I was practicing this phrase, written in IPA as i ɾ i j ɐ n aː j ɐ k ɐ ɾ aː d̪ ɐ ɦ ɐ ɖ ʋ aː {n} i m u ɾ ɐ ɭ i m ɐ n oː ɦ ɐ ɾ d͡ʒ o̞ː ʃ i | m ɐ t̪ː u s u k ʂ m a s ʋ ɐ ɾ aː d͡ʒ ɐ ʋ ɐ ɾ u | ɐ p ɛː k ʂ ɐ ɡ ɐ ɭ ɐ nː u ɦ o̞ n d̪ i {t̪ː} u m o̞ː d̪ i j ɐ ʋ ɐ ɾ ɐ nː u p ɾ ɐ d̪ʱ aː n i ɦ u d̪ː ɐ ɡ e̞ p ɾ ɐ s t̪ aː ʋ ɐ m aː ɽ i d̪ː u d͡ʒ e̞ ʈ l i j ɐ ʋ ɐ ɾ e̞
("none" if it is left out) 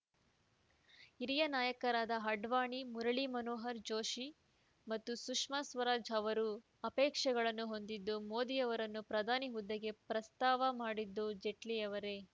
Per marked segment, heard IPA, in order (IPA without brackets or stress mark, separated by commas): ɳ, d̪ː